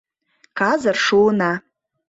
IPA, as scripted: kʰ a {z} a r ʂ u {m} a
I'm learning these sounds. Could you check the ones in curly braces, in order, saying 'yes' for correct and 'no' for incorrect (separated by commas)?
yes, no